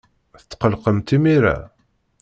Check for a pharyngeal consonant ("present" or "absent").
absent